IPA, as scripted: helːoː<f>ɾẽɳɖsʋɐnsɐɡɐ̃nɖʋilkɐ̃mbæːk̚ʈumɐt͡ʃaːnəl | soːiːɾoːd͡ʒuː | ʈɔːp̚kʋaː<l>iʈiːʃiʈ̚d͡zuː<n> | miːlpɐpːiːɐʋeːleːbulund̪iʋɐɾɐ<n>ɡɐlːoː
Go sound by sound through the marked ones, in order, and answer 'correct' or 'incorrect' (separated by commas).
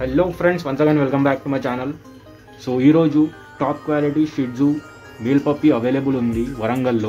correct, correct, incorrect, incorrect